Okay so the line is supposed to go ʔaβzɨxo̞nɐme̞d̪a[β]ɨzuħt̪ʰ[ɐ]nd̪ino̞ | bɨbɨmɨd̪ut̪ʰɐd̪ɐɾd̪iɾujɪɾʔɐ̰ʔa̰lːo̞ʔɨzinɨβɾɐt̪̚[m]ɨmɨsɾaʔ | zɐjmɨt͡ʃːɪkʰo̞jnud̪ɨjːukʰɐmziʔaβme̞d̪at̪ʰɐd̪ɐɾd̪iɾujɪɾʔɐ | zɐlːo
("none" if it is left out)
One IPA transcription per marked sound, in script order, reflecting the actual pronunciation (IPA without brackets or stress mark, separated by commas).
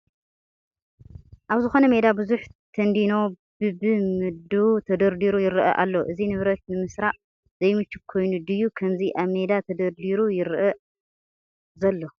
b, ɐ, n